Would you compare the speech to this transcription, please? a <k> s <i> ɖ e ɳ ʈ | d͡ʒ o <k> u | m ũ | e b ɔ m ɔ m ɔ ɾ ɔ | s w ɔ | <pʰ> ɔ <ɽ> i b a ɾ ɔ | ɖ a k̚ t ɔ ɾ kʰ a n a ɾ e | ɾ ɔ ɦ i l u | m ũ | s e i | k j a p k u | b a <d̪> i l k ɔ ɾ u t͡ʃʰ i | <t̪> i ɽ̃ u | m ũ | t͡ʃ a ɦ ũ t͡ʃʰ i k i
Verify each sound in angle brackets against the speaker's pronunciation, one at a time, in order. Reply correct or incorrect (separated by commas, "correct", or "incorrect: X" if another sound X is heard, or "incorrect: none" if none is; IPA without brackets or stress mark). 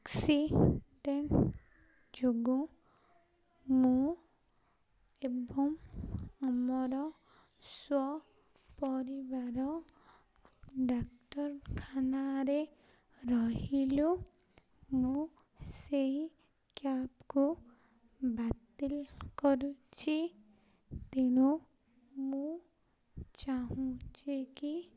correct, correct, incorrect: ɡ, incorrect: p, incorrect: ɾ, incorrect: t̪, correct